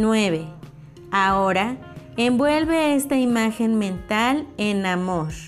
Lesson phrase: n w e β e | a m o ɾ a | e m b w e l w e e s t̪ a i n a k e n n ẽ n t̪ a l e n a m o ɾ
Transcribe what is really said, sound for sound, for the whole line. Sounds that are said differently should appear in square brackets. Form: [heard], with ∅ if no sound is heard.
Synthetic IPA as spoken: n w e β e | a [∅] o ɾ a | e m b w e l [β] e e s t̪ a i [m] a [x] e n [m] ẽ n t̪ a l e n a m o ɾ